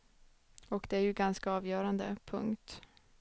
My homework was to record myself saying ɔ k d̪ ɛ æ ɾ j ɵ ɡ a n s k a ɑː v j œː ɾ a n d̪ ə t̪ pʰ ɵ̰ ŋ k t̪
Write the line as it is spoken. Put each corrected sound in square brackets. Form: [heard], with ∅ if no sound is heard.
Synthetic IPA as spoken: ɔ k d̪ ɛ æ ɾ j ɵ ɡ a n s k a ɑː v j œː ɾ a n d̪ ə [∅] pʰ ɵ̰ ŋ k t̪